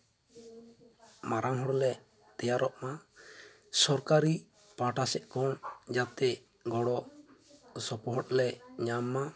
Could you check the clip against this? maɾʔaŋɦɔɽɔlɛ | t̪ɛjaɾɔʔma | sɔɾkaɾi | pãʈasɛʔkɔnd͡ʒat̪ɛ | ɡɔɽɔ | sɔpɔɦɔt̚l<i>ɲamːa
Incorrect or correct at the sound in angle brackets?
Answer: incorrect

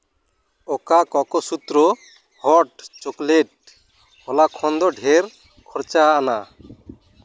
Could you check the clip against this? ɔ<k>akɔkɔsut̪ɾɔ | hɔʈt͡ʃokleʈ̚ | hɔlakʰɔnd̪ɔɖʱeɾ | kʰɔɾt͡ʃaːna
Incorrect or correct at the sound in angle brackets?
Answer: correct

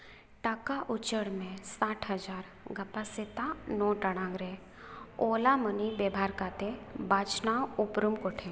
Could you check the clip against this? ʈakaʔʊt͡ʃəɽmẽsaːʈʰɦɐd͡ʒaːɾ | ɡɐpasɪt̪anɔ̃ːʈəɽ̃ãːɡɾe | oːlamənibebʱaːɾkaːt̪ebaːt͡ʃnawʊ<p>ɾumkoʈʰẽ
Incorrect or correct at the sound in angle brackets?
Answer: correct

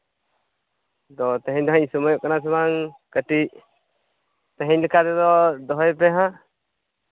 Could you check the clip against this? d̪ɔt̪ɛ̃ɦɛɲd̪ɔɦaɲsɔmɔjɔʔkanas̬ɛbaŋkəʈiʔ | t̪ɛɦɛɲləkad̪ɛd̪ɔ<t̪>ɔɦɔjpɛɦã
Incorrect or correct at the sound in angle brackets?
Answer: incorrect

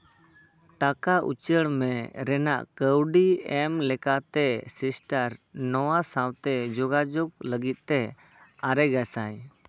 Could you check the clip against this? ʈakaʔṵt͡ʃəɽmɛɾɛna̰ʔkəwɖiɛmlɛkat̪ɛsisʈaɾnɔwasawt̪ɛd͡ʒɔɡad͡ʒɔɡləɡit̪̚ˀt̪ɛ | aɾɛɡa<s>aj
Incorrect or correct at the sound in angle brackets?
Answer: correct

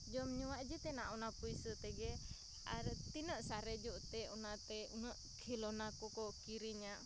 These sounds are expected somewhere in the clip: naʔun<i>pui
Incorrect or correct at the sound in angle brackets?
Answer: incorrect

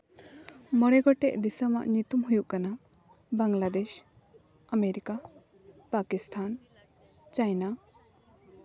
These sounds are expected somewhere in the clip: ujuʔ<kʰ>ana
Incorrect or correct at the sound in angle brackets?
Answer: incorrect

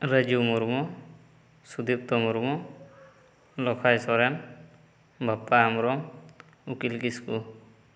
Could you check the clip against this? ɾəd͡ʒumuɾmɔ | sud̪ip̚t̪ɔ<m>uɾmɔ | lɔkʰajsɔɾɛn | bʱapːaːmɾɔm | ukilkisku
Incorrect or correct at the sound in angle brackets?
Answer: correct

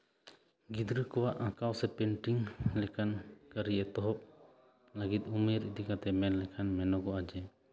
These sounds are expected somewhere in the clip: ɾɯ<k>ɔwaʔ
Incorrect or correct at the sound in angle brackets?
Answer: correct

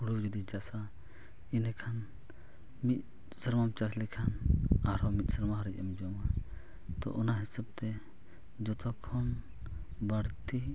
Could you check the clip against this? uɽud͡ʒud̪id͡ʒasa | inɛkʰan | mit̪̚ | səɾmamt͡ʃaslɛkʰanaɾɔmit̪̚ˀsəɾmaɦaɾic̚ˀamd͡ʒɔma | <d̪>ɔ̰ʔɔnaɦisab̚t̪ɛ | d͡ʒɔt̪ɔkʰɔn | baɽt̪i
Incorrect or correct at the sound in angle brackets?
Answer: incorrect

